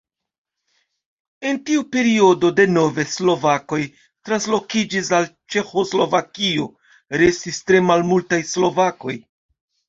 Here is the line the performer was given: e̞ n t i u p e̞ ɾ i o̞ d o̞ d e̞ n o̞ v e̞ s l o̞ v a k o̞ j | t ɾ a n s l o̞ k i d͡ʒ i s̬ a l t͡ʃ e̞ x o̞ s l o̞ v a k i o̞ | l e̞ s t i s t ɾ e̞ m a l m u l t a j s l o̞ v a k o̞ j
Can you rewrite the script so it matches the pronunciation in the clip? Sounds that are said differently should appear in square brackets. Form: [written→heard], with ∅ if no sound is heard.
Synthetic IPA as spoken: e̞ n t i u p e̞ ɾ i o̞ d o̞ d e̞ n o̞ v e̞ s l o̞ v a k o̞ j | t ɾ a n s l o̞ k i d͡ʒ i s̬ a l t͡ʃ e̞ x o̞ s l o̞ v a k i o̞ | [l→ɾ] e̞ s t i s t ɾ e̞ m a l m u l t a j s l o̞ v a k o̞ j